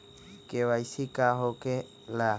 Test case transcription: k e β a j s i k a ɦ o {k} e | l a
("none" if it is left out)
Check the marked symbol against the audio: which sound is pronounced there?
k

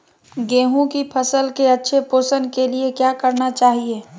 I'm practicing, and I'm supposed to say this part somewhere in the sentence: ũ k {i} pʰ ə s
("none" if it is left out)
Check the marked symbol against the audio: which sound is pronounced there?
i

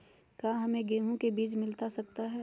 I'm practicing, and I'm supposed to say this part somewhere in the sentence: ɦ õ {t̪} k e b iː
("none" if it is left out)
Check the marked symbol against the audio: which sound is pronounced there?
none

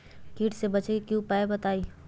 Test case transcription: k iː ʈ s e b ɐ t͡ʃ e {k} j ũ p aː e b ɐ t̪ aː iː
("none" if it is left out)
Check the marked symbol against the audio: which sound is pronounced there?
k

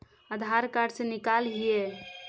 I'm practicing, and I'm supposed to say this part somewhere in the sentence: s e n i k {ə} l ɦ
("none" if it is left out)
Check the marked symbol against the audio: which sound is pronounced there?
a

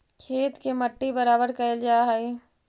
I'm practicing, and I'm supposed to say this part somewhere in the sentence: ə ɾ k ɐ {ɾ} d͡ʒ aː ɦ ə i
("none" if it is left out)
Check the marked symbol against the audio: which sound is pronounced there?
l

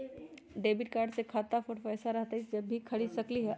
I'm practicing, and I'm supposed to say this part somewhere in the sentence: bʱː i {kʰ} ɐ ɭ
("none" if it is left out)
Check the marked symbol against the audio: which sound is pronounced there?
kʰ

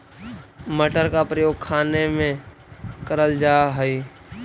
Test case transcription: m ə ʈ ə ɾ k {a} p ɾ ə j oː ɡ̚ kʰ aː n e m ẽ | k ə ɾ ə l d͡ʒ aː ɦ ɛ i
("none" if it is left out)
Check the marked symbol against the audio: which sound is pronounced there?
a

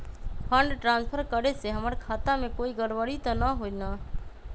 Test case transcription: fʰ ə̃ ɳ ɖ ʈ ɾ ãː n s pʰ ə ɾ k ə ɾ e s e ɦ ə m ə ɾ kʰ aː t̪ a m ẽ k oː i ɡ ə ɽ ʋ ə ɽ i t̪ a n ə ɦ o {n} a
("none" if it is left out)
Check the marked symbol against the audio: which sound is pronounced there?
n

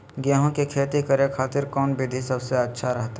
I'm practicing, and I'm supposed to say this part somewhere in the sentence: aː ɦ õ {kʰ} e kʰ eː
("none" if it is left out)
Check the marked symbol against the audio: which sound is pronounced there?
k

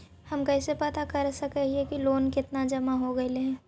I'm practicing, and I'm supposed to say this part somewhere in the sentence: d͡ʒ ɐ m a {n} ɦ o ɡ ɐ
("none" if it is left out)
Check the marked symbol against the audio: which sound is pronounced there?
none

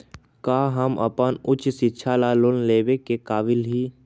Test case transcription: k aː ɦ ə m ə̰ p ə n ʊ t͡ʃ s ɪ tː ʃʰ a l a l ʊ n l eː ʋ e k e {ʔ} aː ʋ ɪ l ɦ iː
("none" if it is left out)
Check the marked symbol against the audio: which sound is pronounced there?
k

